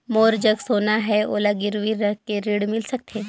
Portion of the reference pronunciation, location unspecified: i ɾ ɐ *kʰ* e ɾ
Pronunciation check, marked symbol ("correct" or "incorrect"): incorrect